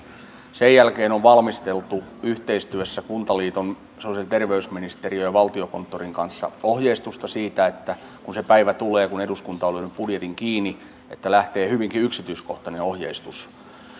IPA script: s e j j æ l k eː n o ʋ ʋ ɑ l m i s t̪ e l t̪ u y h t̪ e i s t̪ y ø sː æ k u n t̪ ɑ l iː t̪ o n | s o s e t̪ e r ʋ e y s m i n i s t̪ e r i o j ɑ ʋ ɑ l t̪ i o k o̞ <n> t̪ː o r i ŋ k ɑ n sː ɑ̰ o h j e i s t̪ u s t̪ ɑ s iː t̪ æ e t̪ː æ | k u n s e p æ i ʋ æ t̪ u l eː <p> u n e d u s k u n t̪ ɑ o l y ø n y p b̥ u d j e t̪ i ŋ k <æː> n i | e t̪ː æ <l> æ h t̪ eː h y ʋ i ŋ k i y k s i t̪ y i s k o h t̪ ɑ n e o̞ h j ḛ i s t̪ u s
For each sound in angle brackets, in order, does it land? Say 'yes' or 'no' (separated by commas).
yes, no, no, yes